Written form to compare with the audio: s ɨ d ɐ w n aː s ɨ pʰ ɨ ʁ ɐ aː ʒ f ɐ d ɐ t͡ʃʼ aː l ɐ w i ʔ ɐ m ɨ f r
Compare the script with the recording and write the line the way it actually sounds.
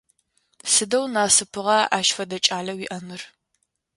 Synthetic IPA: s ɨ d ɐ w n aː s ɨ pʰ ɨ ʁ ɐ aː ʃ f ɐ d ɐ t͡ʃʼ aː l ɐ w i ʔ ɐ m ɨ r